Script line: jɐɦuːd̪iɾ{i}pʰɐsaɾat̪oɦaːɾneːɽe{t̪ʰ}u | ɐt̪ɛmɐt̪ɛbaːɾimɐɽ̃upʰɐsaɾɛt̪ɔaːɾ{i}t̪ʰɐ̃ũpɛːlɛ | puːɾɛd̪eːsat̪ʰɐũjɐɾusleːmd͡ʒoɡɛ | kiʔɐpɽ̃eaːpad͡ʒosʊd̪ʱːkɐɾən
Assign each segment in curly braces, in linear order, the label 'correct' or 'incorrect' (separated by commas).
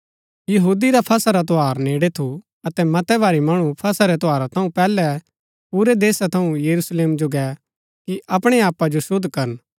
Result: incorrect, correct, incorrect